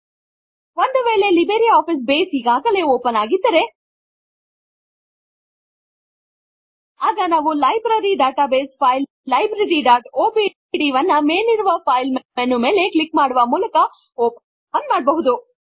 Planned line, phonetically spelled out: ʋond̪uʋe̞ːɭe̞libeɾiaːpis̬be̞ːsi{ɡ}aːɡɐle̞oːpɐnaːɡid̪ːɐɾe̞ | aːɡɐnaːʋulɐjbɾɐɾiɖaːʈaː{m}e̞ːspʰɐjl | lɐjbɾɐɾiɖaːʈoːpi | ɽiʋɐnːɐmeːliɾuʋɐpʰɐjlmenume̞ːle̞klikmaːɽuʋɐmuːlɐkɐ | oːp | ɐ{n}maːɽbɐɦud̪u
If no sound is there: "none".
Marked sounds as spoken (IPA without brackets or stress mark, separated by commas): ɡ, b, n